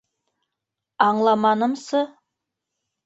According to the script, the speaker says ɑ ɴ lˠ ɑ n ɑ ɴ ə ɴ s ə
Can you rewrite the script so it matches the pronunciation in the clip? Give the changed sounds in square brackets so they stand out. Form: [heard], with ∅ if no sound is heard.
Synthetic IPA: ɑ ɴ lˠ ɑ [m] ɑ [n] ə [m] s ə